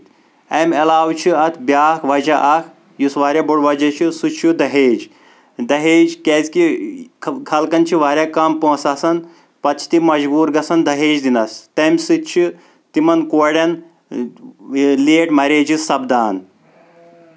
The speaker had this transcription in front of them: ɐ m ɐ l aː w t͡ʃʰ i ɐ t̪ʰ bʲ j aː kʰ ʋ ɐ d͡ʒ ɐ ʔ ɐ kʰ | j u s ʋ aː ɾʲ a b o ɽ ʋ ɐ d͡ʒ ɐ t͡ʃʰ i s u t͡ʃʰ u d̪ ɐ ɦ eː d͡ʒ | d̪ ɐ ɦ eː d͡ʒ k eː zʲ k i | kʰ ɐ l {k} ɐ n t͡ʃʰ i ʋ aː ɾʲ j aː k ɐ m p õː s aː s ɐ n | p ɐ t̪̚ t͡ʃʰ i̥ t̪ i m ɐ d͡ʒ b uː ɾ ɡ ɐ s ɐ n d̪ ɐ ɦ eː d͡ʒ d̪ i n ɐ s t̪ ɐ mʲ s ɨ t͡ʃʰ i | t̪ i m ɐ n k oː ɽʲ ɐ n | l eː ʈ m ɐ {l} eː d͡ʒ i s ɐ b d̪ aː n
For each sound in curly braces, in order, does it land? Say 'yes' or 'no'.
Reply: yes, no

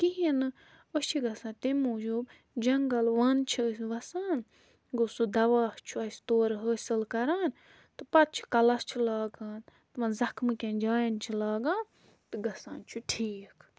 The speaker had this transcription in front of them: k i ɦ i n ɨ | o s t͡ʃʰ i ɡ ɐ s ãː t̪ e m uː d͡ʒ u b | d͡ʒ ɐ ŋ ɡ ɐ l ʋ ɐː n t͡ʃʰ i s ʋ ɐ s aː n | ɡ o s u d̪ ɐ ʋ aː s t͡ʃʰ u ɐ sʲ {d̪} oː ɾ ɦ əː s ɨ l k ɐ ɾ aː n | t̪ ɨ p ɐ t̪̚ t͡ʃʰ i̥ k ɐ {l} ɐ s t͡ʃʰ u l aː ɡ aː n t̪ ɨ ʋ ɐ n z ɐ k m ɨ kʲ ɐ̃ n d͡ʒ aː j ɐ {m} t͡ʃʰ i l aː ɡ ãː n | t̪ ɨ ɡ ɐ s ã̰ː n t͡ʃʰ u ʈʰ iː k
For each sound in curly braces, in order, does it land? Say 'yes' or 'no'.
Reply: no, yes, no

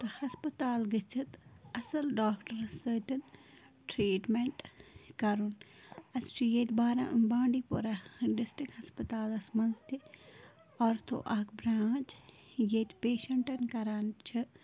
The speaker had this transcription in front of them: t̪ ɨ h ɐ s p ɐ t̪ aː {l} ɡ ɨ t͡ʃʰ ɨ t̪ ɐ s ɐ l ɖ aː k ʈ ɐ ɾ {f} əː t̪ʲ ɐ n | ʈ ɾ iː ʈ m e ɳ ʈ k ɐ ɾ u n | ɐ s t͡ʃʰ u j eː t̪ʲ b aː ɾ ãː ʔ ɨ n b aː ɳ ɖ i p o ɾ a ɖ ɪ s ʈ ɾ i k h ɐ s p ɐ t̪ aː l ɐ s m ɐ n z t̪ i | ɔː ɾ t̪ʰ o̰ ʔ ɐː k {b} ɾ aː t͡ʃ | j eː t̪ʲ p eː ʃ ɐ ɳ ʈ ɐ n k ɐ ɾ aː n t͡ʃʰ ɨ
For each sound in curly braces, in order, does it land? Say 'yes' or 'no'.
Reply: yes, no, yes

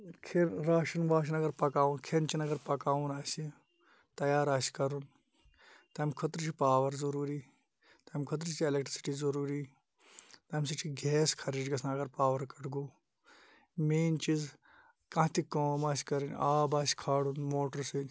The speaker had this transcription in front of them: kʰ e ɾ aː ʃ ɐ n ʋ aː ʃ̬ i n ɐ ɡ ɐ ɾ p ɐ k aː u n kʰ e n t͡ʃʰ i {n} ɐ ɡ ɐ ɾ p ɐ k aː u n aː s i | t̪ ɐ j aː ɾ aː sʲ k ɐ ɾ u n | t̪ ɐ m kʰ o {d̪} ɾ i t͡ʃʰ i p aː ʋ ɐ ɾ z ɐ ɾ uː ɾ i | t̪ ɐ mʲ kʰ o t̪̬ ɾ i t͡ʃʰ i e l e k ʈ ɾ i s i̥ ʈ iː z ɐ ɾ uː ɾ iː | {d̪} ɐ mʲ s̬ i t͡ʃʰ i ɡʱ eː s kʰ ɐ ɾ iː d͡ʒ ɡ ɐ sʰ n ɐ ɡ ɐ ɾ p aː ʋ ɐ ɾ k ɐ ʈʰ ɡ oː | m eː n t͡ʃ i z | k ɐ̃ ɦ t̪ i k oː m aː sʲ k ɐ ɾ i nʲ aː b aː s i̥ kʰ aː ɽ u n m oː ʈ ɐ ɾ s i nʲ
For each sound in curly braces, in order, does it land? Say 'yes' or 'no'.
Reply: yes, no, no

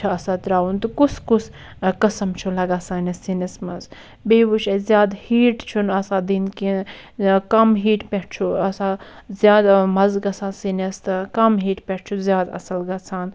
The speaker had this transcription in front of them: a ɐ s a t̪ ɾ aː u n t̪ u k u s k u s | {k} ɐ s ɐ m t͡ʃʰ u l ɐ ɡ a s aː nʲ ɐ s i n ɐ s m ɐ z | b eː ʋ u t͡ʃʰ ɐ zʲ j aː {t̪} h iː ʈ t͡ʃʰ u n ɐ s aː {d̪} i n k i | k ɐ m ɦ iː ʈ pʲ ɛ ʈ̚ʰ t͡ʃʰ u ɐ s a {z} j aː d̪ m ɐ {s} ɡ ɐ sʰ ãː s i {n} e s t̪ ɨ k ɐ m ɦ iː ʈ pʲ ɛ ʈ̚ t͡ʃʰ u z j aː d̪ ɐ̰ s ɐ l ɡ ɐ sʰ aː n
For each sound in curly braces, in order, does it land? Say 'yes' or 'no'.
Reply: yes, no, yes, yes, no, yes

